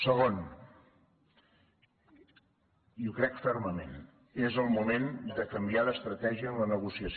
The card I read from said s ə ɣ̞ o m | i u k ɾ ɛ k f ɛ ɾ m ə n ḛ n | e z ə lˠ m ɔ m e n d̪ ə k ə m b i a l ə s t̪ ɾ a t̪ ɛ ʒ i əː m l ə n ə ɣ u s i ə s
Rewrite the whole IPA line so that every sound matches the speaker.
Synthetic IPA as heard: s ə ɣ̞ o n | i u k ɾ ɛ k f ɛ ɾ m ə m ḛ n | e z ə lˠ m u m e n d̪ ə k ə m b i a l ə s t̪ ɾ ə t̪ ɛ ʒ i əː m l ə n ə ɣ u s i ə s